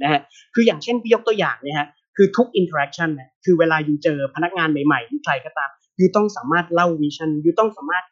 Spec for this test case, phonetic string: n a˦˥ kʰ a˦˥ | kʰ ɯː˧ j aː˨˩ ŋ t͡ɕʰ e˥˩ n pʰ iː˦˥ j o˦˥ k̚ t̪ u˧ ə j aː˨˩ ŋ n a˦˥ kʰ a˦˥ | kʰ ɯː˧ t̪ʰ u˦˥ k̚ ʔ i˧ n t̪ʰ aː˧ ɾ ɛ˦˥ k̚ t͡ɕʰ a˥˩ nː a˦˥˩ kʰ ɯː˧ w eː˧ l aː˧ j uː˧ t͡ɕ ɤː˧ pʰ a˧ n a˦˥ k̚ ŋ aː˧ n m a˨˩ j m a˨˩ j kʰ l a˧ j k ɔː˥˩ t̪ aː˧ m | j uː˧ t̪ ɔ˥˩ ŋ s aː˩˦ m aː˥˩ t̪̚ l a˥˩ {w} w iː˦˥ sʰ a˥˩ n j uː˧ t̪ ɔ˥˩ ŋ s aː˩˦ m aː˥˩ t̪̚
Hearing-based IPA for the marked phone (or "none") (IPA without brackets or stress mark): w